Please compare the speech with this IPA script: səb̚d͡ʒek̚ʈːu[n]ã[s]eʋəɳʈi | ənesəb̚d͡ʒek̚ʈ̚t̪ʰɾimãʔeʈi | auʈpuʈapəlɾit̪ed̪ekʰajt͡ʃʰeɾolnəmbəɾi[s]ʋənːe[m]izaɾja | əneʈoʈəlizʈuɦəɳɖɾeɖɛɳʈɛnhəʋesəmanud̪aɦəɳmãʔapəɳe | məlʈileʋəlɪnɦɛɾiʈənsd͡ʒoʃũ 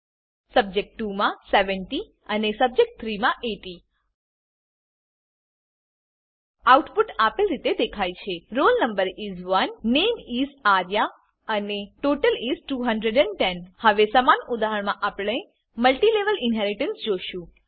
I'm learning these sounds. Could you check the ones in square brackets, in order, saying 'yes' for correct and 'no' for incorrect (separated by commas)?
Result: no, yes, no, yes